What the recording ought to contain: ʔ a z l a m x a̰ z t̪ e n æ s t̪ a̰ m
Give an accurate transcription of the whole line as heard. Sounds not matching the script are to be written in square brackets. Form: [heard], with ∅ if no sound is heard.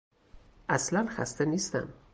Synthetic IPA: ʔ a [s] l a [n] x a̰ [s] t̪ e n [i] s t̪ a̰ m